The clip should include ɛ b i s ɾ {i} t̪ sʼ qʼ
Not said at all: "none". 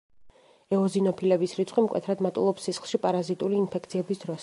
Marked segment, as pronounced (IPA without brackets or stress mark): i